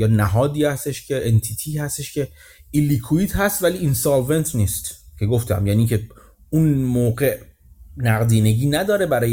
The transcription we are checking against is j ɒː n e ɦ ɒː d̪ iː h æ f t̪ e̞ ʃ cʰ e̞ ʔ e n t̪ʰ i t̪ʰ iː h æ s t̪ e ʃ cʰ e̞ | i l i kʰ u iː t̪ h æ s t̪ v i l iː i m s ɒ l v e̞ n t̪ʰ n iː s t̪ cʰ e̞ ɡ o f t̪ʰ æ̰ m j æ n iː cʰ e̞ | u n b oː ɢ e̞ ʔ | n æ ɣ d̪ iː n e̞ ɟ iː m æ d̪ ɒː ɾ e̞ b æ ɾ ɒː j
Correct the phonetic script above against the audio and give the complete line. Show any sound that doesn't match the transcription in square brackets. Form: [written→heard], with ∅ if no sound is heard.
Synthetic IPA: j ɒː n [e→æ] ɦ ɒː d̪ iː h æ [f→s] t̪ e̞ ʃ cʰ e̞ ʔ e n t̪ʰ i t̪ʰ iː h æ s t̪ e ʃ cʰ e̞ | i l i kʰ u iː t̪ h æ s t̪ v [i→æ] l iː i [m→n] s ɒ l v e̞ n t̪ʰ n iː s t̪ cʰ e̞ ɡ o f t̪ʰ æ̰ m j æ n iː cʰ e̞ | u n [b→m] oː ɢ e̞ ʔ | n æ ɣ d̪ iː n e̞ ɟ iː [m→n] æ d̪ ɒː ɾ e̞ b æ ɾ ɒː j